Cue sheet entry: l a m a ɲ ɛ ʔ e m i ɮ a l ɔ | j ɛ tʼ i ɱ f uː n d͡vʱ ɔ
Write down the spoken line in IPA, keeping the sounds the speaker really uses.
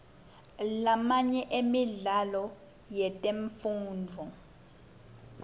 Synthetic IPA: l a m a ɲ ɛ ʔ e m i ɮ a l ɔ | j ɛ tʼ e ɱ f uː n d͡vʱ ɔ